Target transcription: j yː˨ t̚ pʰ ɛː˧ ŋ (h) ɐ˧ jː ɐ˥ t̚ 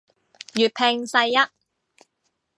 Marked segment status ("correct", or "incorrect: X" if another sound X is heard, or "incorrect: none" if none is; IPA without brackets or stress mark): incorrect: s